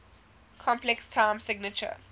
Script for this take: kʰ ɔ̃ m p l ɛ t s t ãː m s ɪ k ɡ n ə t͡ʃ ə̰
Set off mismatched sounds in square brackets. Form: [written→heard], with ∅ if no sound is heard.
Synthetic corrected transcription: kʰ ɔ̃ m p l ɛ [t→k] s [t→tʰ] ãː m s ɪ [k→∅] ɡ n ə t͡ʃ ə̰

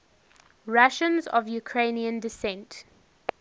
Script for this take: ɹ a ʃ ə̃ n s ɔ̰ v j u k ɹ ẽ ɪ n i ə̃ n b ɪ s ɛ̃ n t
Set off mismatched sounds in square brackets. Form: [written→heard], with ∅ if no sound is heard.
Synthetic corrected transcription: ɹ a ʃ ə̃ n [s→z] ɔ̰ v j u [k→kʰ] ɹ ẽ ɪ n i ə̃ n [b→d] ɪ s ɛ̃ n t

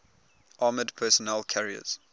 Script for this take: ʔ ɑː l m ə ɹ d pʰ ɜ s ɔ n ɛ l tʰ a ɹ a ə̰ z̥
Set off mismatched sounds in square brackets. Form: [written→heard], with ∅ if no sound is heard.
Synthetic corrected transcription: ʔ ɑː [l→∅] m ə [ɹ→∅] d pʰ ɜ s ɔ n ɛ l [tʰ→kʰ] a ɹ [a→i] ə̰ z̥

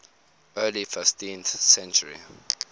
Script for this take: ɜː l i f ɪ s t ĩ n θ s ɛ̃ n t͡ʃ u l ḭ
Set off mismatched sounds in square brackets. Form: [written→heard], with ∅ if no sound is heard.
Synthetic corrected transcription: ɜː l i f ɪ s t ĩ n θ s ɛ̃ n t͡ʃ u [l→ɹ] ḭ

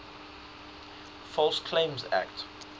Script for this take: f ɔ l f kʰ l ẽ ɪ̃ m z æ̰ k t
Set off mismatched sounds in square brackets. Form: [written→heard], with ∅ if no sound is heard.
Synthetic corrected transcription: f ɔ l [f→s] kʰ l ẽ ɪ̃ m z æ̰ k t

